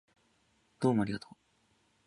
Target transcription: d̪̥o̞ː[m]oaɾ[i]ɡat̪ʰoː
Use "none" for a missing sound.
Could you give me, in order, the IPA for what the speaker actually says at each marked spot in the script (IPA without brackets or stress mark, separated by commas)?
m, i